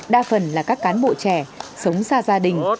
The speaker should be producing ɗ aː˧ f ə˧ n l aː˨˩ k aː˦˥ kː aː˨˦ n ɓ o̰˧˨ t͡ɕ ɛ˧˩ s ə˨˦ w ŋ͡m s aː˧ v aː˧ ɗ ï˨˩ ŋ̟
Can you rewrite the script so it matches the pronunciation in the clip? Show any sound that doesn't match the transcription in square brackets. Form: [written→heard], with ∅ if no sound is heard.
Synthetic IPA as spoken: ɗ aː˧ f [ə˧→ə˨˩] n l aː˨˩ k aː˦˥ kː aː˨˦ n ɓ o̰˧˨ t͡ɕ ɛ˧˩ s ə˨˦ w ŋ͡m s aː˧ [v→z] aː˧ ɗ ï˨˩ ŋ̟